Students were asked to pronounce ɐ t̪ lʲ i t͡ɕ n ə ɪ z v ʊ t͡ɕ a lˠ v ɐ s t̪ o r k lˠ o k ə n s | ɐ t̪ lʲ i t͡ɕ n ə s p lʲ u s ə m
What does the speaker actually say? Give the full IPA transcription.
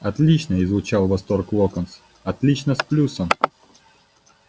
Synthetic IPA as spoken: ɐ t̪ lʲ i t͡ɕ n ə ɪ z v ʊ t͡ɕ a lˠ v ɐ s t̪ o r k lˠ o k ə n s | ɐ t̪ lʲ i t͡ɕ n ə s p lʲ u s ə m